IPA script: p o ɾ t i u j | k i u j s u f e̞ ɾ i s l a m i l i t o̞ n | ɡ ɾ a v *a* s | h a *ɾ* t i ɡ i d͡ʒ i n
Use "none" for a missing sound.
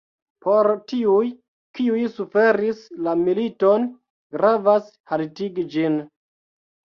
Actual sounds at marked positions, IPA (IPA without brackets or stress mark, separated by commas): a, l